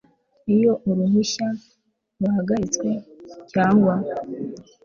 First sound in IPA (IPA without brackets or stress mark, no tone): i